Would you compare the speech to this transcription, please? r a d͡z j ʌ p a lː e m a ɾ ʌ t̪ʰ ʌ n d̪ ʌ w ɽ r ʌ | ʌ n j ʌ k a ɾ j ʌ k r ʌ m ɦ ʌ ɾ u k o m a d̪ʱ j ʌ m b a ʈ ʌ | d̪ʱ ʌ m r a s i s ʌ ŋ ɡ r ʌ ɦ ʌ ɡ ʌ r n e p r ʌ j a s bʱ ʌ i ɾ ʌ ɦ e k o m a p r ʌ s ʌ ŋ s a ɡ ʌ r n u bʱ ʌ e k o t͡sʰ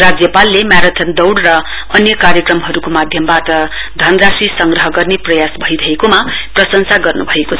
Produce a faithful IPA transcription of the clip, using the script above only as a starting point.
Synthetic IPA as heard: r a d͡z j ʌ p a lː e m a ɾ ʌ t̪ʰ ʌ n d̪ ʌ w ɽ r ʌ | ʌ n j ʌ k a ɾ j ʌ k r ʌ m ɦ ʌ ɾ u k o m a d̪ʱ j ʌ m b a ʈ ʌ | d̪ʱ ʌ n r a s i s ʌ ŋ ɡ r ʌ ɦ ʌ ɡ ʌ r n e p r ʌ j a s bʱ ʌ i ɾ ʌ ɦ e k o m a p r ʌ s ʌ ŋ s a ɡ ʌ r n u bʱ ʌ e k o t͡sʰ

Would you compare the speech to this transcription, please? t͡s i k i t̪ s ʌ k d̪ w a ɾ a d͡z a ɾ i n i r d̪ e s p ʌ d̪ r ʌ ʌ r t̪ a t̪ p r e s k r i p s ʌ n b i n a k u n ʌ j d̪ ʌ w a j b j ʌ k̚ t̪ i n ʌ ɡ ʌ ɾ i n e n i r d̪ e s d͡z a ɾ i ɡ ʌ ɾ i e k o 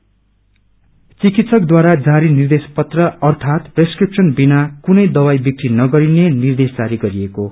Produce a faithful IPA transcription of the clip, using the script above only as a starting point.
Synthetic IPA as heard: t͡s i k i t̪ s ʌ k d̪ w a ɾ a d͡z a ɾ i n i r d̪ e s p ʌ t̪ r ʌ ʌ r t̪ʰ a t̪ p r e s k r i p s ʌ n b i n a k u n ʌ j d̪ ʌ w a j b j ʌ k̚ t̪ i n ʌ ɡ ʌ ɾ i n e n i r d̪ e s d͡z a ɾ i ɡ ʌ ɾ i e k o

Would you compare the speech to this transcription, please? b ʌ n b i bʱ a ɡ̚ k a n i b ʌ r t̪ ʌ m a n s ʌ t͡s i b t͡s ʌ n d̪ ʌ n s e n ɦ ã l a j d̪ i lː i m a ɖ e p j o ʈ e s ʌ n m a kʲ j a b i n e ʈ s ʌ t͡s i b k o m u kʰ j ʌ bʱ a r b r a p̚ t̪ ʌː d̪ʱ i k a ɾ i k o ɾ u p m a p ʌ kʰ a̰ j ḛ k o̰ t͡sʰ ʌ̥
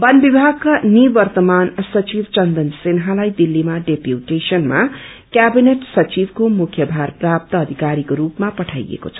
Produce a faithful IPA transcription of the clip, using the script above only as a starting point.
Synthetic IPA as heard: b ʌ n b i bʱ a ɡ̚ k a n i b ʌ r t̪ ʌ m a n s ʌ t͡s i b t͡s ʌ n d̪ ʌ n s e n ɦ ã l a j d̪ i lː i m a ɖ e p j u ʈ e s ʌ n m a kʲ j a b i n e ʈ s ʌ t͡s i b k o m u kʰ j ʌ bʱ a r p r a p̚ t̪ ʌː d̪ʱ i k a ɾ i k o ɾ u p m a p ʌ ʈʰ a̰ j ḛ k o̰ t͡sʰ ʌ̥

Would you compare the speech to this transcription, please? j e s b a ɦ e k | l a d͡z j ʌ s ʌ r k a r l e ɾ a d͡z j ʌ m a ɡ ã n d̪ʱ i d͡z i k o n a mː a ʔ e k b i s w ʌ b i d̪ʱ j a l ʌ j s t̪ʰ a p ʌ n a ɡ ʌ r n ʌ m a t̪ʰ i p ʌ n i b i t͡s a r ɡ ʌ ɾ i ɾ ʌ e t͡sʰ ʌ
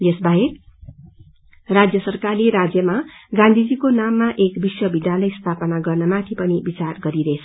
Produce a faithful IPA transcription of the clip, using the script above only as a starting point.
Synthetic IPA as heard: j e s b a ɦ e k | r a d͡z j ʌ s ʌ r k a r l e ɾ a d͡z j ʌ m a ɡ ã n d̪ʱ i d͡z i k o n a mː a ʔ e k b i s w ʌ b i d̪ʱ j a l ʌ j s t̪ʰ a p ʌ n a ɡ ʌ r n ʌ m a t̪ʰ i p ʌ n i b i t͡s a r ɡ ʌ ɾ i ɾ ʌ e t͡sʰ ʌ

